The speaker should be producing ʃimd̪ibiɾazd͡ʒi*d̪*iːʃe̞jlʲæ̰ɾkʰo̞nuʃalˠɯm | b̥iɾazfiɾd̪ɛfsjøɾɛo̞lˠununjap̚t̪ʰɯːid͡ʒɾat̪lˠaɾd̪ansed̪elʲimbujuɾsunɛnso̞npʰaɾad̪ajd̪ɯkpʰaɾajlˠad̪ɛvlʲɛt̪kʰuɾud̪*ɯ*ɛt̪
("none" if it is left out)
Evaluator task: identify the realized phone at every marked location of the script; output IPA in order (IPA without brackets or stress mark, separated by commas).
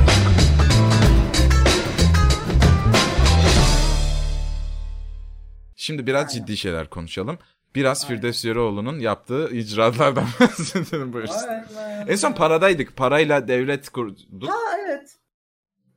d̪ː, u